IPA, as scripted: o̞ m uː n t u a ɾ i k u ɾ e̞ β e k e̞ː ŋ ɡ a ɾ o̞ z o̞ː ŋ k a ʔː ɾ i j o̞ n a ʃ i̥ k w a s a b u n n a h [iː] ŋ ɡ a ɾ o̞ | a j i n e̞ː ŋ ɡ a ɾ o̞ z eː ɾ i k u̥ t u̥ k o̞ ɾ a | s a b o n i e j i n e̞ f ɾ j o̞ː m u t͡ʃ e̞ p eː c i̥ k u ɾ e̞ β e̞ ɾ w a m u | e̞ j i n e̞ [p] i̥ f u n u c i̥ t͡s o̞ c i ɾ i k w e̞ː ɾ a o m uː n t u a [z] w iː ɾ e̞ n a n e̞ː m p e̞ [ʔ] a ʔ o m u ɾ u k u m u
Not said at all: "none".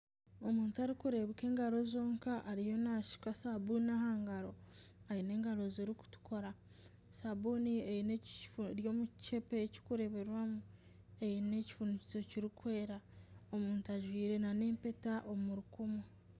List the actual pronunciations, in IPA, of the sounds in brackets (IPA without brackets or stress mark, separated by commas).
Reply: aː, c, ʒ, t